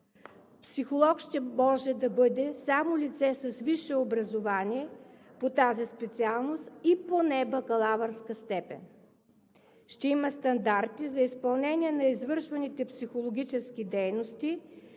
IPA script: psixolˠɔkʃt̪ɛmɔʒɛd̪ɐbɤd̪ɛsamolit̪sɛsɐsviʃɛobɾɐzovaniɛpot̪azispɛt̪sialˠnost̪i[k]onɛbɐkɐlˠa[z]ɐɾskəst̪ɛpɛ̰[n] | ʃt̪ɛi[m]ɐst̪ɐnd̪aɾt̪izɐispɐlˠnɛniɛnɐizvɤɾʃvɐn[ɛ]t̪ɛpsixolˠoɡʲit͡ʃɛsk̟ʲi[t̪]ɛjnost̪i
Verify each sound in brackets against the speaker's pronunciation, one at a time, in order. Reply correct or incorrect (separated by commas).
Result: incorrect, incorrect, correct, correct, incorrect, incorrect